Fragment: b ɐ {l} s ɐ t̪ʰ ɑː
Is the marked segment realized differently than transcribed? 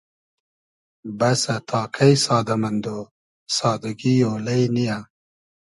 yes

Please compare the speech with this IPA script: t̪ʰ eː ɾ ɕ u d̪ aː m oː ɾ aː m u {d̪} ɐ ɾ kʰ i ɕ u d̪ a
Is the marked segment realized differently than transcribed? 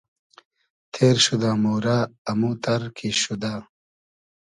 yes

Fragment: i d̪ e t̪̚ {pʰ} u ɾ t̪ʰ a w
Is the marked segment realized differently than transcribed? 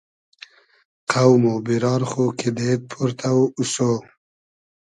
no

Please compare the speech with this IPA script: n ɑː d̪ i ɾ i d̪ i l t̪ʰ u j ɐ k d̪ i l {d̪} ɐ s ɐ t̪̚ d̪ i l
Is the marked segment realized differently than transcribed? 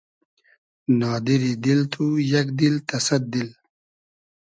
yes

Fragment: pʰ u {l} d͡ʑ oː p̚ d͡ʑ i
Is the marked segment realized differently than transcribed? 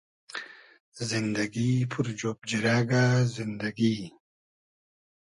yes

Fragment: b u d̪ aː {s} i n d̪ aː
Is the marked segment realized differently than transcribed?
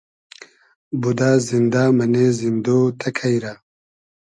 yes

